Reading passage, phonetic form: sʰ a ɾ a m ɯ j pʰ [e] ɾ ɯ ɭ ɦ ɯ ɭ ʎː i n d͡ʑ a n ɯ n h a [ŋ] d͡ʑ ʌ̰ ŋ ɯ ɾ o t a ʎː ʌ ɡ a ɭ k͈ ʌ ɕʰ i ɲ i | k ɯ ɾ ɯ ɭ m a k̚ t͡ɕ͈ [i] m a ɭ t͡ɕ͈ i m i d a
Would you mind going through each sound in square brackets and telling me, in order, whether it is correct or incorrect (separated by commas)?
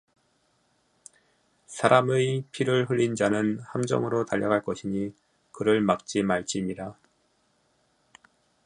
incorrect, incorrect, correct